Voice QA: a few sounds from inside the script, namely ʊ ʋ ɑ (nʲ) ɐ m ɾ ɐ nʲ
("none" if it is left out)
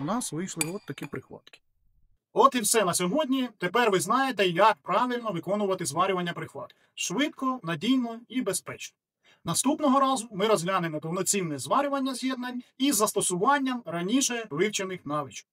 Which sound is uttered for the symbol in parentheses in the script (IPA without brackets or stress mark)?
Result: nʲː